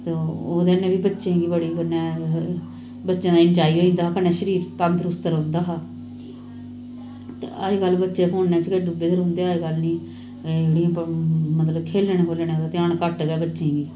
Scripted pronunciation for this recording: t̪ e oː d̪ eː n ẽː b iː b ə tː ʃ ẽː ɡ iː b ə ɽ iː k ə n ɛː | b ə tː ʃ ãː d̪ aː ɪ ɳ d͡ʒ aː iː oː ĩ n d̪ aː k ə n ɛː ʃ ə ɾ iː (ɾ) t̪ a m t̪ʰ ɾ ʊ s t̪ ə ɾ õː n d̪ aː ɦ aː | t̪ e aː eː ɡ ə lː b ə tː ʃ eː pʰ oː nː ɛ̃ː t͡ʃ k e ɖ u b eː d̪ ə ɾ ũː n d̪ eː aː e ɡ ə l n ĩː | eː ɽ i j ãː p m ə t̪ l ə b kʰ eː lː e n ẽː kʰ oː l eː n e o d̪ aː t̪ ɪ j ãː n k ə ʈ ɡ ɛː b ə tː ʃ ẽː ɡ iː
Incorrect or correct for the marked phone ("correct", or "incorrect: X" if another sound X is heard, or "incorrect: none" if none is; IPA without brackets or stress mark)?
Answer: correct